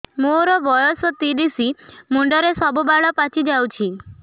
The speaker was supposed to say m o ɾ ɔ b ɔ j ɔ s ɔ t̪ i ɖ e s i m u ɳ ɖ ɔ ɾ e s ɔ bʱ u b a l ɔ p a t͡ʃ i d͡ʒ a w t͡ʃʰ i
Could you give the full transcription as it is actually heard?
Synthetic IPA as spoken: m o ɾ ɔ b ɔ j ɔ s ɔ t̪ i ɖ i s i m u ɳ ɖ ɔ ɾ e s ɔ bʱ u b a ɭ ɔ p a t͡ʃ i d͡ʒ a w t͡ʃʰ i